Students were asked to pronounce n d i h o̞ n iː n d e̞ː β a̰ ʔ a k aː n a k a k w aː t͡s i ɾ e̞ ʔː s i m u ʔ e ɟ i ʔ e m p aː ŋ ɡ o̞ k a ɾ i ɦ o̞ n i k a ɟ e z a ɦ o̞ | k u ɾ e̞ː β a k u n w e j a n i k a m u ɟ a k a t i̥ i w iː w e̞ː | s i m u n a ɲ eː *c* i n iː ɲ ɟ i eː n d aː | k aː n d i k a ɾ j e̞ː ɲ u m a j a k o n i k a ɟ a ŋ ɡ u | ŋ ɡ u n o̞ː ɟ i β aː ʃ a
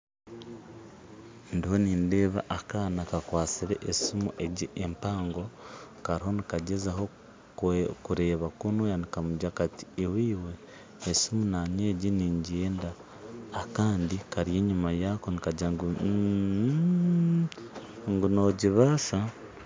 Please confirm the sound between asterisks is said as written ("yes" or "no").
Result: no